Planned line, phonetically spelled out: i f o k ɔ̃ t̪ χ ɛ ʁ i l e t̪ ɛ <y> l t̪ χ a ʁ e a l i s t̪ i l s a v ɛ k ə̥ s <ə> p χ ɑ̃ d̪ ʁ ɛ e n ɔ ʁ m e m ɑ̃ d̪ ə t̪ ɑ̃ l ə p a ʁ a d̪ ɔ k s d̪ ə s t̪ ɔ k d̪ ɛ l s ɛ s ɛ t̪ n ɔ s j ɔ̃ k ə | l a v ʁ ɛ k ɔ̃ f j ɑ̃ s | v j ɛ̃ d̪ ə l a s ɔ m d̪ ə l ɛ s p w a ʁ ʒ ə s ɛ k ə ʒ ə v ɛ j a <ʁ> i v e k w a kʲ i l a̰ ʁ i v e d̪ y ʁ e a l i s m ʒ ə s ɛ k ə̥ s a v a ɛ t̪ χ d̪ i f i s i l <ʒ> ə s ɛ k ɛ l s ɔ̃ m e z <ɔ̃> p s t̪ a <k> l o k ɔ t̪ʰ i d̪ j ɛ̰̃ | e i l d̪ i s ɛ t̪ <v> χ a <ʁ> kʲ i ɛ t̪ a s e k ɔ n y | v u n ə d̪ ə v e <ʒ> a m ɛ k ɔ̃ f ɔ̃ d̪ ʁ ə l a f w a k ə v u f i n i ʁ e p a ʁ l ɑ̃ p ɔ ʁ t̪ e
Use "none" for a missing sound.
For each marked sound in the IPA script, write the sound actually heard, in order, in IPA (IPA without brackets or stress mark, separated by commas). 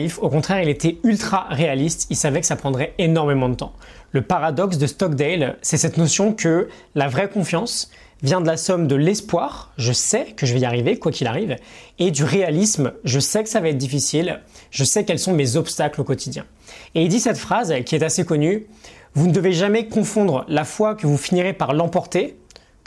y, a, ʁ, ʒ, ɔ, k, f, z, ʒ